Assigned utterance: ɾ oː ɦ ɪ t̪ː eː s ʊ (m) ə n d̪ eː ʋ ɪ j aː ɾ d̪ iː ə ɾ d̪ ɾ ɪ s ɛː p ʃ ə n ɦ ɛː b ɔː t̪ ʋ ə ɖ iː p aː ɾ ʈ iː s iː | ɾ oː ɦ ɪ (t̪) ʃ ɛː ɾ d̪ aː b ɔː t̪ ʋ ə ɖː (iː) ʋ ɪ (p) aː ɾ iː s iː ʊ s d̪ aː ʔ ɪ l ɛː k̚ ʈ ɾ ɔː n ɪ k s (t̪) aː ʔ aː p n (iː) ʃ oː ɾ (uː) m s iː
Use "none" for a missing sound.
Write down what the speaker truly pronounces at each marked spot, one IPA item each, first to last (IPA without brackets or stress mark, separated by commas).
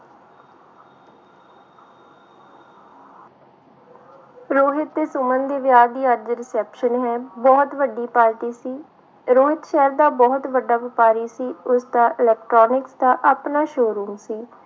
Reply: m, t̪, aː, p, d̪, aː, uː